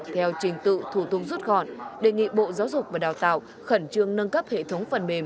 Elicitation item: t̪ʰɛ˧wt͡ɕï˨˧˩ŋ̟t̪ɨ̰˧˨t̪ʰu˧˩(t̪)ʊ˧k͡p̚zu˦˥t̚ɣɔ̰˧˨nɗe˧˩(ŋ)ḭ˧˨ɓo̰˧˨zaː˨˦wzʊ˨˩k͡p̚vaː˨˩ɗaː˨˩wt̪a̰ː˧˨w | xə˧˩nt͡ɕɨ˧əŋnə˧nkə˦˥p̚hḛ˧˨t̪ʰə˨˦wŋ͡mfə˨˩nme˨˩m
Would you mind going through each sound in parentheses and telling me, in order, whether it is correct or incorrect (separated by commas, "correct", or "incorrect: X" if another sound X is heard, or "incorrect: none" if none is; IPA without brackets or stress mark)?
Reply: correct, correct